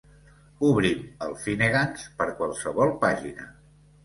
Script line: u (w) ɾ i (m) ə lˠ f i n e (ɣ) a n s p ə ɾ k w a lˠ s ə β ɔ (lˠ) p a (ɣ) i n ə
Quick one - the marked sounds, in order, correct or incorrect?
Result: incorrect, correct, correct, correct, incorrect

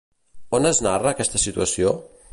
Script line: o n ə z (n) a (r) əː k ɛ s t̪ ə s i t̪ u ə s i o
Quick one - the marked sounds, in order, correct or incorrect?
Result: correct, correct

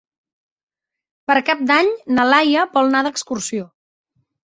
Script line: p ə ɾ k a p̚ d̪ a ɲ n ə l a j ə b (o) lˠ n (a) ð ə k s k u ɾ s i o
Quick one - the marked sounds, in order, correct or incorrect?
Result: incorrect, correct

